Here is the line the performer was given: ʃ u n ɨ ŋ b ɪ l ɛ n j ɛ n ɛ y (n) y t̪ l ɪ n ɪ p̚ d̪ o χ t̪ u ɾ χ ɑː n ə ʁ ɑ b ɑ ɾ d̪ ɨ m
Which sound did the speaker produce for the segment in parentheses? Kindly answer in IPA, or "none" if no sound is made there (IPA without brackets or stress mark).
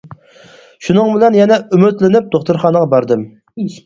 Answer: m